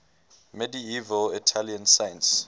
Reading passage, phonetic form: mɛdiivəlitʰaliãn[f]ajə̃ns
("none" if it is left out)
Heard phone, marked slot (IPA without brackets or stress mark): s